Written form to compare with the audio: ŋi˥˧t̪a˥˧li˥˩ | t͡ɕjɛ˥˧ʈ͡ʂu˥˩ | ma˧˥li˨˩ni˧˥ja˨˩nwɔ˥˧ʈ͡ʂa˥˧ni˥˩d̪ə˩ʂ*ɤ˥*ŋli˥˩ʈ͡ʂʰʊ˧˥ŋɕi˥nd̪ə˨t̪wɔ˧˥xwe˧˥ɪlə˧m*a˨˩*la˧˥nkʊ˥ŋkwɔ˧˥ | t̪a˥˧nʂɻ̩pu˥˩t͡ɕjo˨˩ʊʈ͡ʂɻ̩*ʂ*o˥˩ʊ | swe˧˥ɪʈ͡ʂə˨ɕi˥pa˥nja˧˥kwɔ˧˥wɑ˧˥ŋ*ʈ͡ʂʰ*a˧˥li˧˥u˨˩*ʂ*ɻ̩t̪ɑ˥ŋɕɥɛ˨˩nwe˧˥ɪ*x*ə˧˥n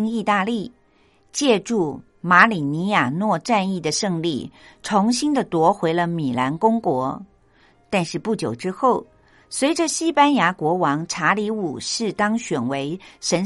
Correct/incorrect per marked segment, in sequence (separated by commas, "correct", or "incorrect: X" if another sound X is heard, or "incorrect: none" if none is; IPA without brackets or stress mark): incorrect: ɤ˥˧, incorrect: i˨˩, incorrect: x, correct, correct, incorrect: ʂ